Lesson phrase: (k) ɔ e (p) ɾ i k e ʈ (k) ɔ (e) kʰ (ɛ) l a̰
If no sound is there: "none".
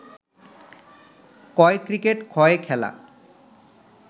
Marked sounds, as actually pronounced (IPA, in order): k, k, kʰ, e, ɛ

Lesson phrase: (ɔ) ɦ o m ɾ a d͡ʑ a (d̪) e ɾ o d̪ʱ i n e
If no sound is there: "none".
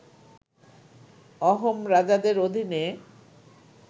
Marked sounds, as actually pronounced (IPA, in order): ɔ, d̪

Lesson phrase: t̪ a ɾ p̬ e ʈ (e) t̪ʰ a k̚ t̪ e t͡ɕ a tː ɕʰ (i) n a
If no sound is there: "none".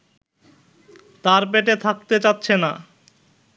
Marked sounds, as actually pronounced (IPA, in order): e, e

